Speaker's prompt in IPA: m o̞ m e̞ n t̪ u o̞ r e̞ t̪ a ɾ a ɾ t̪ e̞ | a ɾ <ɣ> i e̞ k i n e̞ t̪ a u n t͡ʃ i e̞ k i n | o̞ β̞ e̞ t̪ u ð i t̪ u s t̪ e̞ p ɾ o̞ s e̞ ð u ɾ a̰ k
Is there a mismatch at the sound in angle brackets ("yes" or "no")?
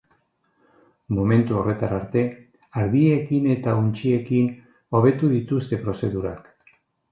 yes